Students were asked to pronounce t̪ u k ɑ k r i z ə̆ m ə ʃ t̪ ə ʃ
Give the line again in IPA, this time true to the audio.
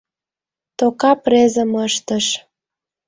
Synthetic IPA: t̪ o k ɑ p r e z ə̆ m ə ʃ t̪ ə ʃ